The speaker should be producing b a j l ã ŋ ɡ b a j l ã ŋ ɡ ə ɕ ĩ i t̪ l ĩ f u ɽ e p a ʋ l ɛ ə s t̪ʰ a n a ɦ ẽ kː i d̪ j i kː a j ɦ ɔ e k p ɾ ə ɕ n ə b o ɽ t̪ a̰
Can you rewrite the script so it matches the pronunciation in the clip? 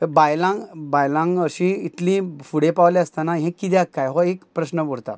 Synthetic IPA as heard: b a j l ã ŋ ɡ b a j l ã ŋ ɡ ə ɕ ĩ i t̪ l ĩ f u ɽ e p a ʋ l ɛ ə s t̪ a n a ɦ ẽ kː i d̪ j a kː a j ɦ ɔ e k p ɾ ə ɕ n ə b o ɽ t̪ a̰